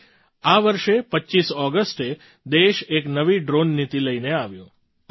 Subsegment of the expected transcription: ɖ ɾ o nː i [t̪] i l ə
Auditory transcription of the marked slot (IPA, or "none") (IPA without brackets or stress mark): t̪